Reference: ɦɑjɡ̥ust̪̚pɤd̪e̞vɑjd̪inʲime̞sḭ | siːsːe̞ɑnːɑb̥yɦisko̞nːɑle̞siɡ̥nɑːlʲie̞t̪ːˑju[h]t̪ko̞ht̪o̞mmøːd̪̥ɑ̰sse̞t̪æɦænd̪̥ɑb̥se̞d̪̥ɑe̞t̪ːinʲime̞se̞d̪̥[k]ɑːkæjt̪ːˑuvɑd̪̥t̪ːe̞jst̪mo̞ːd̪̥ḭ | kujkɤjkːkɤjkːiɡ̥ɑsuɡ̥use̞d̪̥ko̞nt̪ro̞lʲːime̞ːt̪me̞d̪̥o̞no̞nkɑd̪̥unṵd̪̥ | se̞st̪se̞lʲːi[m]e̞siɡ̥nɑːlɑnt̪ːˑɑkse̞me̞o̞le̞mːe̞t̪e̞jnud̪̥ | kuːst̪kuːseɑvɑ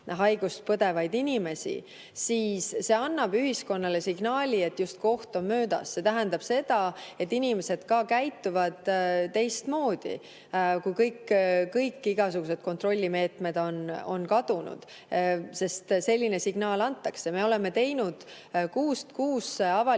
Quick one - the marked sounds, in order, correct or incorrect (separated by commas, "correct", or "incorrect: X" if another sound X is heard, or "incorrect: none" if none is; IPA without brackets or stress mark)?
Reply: incorrect: s, correct, incorrect: n